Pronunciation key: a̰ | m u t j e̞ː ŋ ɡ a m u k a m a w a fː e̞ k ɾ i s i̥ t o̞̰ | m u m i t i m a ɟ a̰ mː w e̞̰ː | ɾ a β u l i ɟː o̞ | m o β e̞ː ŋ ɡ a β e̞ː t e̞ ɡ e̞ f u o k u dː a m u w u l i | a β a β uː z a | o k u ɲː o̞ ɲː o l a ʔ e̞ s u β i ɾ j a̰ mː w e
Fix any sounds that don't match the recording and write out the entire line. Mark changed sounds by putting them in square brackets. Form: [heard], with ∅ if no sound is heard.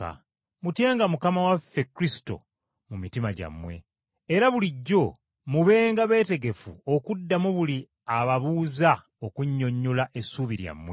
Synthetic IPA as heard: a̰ | m u t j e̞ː ŋ ɡ a m u k a m a w a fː e̞ k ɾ i s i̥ t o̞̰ | m u m i t i m a ɟ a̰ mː w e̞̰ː | ɾ a β u l i ɟː o̞ | m [u] β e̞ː ŋ ɡ a β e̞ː t e̞ ɡ e̞ f u o k u dː a m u [β] u l i | a β a β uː z a | o k u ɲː o̞ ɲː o l a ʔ e̞ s u β i ɾ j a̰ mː w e